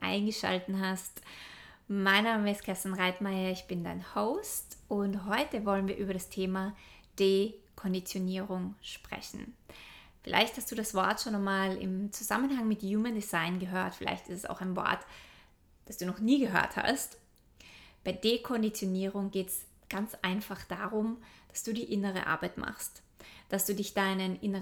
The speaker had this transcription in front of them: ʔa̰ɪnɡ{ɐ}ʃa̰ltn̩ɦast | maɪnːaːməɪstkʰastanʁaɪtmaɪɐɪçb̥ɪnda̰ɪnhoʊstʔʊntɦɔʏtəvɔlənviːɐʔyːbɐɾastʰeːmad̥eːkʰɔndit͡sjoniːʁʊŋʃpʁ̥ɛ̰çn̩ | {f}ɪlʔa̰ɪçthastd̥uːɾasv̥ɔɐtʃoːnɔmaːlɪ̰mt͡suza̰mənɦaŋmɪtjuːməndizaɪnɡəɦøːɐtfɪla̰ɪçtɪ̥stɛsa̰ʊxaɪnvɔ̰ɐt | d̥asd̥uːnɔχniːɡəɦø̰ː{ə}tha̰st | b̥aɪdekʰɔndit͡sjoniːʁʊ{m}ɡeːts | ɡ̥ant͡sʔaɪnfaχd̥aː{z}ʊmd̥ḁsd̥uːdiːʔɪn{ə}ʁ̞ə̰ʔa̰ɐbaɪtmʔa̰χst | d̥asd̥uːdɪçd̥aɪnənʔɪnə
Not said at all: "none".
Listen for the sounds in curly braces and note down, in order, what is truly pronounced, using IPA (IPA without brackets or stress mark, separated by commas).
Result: ə, f, ɐ, ŋ, ʁ, ə